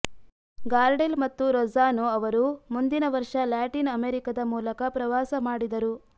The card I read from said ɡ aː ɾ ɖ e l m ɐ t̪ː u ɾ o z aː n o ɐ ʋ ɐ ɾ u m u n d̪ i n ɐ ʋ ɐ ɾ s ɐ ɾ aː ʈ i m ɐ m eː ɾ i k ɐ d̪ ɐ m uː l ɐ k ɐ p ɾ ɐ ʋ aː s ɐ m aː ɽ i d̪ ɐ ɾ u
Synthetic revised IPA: ɡ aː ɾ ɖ e l m ɐ t̪ː u ɾ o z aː n o ɐ ʋ ɐ ɾ u m u n d̪ i n ɐ ʋ ɐ ɾ ʂ ɐ l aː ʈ i n ɐ m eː ɾ i k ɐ d̪ ɐ m uː l ɐ k ɐ p ɾ ɐ ʋ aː s ɐ m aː ɽ i d̪ ɐ ɾ u